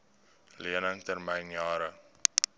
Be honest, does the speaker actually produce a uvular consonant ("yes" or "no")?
no